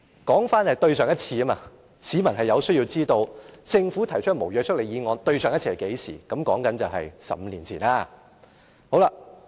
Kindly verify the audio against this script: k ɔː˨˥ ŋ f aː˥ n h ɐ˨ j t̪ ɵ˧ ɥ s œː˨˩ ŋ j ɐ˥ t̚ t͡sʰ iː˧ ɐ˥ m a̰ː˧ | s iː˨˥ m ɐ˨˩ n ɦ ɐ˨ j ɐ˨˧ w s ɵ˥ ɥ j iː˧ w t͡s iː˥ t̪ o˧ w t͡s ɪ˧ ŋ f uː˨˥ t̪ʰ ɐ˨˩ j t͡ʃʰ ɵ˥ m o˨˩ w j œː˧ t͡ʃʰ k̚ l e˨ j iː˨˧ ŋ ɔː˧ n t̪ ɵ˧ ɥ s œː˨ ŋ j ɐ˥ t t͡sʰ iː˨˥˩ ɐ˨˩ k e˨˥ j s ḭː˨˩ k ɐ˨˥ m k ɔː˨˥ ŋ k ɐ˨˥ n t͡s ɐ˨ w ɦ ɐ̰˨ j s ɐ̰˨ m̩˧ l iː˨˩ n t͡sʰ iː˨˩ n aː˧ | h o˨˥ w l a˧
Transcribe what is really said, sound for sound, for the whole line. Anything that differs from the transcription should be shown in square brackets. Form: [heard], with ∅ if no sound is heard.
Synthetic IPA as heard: k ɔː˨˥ ŋ f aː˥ n h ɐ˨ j t̪ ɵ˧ ɥ s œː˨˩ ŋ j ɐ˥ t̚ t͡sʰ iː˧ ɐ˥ m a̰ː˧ | s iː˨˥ m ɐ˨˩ n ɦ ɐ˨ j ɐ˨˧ w s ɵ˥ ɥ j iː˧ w t͡s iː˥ t̪ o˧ w t͡s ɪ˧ ŋ f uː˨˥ t̪ʰ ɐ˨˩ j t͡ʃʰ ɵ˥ m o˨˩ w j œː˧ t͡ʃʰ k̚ l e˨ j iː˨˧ ŋ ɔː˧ n t̪ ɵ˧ ɥ s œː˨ ŋ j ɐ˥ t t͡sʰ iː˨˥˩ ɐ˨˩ k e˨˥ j s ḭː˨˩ k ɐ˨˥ m k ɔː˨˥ ŋ k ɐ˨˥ n t͡s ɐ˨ w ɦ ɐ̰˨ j s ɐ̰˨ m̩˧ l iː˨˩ n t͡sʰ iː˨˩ n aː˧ | h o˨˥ w l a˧